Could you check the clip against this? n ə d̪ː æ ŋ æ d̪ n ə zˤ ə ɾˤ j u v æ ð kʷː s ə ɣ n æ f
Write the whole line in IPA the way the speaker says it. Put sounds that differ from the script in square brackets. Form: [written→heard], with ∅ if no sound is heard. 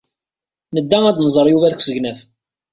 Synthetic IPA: n ə d̪ː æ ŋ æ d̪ n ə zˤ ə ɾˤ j u v æ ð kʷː s ə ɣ n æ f